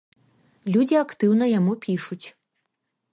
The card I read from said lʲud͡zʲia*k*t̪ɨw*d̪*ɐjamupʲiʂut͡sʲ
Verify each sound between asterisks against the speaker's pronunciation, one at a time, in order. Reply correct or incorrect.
correct, incorrect: n̪

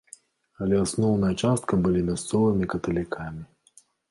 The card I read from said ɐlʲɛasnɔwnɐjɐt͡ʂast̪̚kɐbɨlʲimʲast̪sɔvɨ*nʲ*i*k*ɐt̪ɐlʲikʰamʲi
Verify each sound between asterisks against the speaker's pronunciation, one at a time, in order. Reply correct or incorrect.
incorrect: mʲ, correct

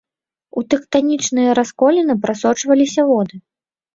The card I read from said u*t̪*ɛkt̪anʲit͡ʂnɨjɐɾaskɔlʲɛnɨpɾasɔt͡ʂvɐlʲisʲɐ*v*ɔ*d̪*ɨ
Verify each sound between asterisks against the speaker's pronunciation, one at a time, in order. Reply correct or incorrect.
correct, correct, correct

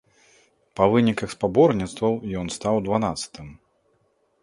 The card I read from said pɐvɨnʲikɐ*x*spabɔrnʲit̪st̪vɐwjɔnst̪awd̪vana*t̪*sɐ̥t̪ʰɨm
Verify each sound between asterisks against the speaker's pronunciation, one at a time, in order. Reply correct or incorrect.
correct, correct

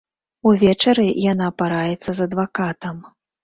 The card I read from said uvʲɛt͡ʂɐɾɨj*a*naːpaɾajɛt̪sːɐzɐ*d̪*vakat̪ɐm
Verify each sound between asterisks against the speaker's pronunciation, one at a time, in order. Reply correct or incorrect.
correct, correct

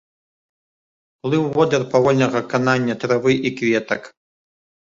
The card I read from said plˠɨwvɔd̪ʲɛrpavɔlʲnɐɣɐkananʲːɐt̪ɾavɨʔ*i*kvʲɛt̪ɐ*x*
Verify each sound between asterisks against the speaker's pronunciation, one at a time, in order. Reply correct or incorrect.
correct, incorrect: k

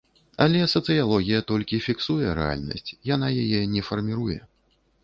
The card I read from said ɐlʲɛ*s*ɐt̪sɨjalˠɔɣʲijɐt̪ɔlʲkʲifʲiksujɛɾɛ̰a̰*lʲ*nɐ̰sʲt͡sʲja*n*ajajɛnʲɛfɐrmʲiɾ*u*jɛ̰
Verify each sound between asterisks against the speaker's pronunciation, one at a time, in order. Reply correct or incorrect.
correct, correct, correct, correct

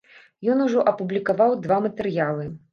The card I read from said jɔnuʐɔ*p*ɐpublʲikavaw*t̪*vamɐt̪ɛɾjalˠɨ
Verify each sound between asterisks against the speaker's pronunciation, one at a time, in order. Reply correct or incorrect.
incorrect: ʔ, incorrect: d̪

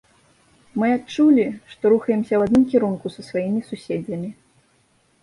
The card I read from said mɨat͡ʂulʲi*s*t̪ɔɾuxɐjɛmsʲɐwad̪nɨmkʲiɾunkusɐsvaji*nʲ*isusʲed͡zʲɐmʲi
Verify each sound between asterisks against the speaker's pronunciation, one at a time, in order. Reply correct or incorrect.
incorrect: ʂ, incorrect: mʲ

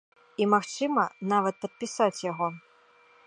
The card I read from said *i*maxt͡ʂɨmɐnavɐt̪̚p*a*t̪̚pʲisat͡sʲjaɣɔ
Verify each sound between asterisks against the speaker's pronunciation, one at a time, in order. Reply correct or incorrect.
correct, incorrect: ɐ

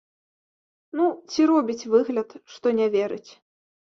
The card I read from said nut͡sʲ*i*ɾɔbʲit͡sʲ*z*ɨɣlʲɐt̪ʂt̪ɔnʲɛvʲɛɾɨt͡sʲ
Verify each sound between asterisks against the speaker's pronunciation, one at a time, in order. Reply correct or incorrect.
correct, incorrect: v

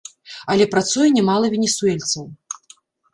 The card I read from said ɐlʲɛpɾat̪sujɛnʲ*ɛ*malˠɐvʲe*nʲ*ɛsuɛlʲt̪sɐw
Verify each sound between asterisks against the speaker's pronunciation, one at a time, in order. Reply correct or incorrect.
correct, correct

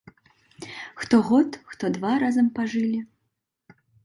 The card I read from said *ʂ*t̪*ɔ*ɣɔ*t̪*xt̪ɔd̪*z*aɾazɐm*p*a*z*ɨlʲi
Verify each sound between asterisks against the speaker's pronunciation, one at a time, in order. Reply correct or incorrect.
incorrect: x, correct, correct, incorrect: v, correct, incorrect: ʐ

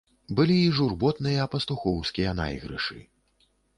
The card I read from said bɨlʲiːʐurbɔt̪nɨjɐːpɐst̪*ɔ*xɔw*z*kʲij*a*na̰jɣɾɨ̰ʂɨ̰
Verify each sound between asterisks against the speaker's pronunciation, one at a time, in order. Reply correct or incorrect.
incorrect: u, incorrect: s, incorrect: ɐ

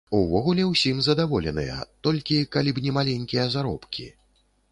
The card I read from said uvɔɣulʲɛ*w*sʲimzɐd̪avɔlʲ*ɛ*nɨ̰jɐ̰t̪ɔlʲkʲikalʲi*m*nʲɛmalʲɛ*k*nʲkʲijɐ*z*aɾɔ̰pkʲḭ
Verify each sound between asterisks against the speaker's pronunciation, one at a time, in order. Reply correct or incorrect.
correct, correct, incorrect: b, incorrect: none, correct

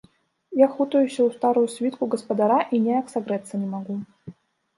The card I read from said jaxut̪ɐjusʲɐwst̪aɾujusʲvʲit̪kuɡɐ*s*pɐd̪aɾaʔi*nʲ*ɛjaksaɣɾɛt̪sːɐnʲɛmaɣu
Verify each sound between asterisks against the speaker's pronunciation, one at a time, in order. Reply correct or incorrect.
correct, correct

